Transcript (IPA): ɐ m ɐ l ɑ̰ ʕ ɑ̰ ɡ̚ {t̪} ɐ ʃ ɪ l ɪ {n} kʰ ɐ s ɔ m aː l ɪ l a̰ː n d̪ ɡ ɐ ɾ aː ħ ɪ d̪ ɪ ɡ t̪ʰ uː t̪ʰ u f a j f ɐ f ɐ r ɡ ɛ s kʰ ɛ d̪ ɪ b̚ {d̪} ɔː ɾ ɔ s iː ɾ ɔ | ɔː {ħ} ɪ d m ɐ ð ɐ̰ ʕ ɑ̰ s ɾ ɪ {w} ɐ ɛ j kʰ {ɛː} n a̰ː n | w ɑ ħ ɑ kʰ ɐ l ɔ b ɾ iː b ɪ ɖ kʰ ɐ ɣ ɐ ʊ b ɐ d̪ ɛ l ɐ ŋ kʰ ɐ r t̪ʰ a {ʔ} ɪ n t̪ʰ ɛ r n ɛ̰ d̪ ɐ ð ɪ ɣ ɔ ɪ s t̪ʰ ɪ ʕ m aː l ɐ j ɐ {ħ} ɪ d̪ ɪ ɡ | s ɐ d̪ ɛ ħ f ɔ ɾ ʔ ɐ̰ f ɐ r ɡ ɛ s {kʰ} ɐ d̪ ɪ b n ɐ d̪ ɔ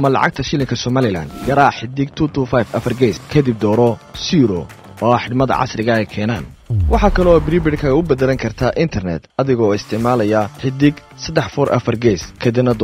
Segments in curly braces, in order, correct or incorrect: incorrect: t̪ʰ, incorrect: ŋ, correct, correct, incorrect: ɣ, correct, correct, correct, correct

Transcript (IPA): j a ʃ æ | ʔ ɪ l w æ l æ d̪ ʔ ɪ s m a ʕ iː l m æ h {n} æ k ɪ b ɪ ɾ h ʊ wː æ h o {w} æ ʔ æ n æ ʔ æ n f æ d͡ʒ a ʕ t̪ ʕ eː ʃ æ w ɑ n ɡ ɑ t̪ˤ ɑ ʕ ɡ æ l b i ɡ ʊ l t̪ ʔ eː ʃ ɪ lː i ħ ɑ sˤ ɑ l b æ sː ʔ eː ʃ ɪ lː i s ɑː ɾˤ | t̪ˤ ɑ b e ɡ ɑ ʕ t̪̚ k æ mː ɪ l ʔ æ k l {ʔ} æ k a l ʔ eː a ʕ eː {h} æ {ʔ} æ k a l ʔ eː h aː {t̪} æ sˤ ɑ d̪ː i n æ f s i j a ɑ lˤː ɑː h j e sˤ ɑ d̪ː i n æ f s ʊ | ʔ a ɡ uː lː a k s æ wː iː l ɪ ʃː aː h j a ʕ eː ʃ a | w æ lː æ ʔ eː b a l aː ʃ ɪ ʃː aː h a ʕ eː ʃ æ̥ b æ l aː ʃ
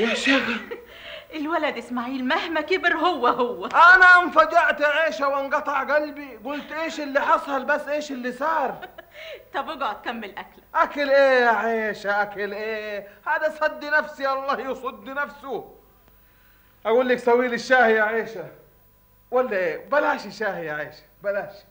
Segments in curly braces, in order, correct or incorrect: incorrect: m, incorrect: wː, correct, incorrect: ʃ, correct, incorrect: d̪

